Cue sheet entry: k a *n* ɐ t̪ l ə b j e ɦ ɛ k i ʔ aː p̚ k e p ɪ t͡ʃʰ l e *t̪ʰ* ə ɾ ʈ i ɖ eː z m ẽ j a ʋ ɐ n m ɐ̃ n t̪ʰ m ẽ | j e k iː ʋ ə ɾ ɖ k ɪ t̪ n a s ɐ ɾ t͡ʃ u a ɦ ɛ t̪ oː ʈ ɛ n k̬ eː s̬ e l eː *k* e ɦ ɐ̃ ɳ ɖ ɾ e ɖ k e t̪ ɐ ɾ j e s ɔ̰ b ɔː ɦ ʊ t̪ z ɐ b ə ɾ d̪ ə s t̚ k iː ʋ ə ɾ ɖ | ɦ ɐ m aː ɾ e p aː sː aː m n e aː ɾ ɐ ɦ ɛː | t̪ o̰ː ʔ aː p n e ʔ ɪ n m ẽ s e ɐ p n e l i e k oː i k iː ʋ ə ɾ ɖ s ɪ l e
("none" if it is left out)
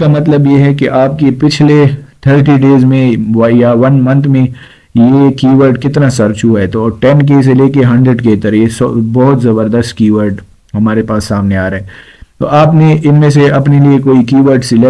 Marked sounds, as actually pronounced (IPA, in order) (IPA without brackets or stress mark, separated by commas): m, t̪ʰ, k